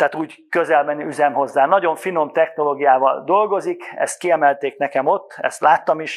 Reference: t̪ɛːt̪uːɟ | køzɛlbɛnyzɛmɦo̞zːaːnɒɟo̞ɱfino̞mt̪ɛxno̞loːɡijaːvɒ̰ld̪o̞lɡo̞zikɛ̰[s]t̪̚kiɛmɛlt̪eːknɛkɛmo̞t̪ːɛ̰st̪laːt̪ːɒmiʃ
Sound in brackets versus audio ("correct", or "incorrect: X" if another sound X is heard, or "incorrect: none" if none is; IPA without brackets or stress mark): correct